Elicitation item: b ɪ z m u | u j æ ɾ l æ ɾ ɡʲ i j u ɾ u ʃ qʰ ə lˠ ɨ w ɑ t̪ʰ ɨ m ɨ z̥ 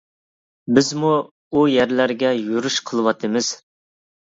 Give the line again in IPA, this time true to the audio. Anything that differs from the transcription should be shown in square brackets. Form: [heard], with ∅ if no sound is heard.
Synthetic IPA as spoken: b ɪ z m u | u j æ ɾ l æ ɾ ɡʲ [ɛ] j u ɾ u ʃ qʰ ə lˠ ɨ w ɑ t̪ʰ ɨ m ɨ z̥